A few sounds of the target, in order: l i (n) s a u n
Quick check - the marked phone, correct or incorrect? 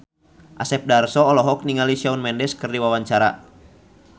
incorrect: none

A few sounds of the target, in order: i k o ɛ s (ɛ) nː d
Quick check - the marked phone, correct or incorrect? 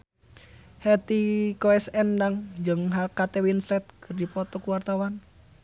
correct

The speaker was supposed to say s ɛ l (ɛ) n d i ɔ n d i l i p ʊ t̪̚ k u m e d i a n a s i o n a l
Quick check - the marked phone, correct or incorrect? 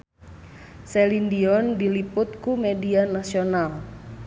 incorrect: i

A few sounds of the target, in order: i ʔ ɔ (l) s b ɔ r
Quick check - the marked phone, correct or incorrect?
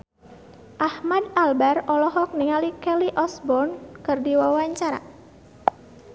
incorrect: none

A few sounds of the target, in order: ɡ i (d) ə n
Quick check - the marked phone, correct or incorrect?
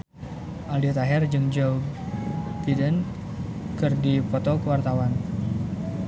correct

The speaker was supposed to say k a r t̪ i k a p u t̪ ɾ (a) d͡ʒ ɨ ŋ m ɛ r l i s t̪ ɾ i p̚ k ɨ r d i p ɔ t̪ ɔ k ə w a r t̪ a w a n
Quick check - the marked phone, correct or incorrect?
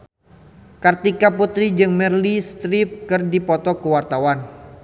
incorrect: i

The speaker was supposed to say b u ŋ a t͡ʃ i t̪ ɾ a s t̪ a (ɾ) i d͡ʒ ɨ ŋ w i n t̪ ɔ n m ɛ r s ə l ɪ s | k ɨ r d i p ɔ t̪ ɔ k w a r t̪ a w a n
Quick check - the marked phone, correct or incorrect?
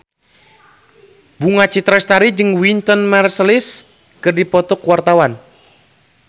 correct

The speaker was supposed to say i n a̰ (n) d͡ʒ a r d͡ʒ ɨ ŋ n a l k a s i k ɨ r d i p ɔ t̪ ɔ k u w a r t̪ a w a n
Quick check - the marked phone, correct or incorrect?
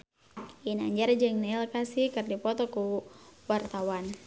incorrect: ɲ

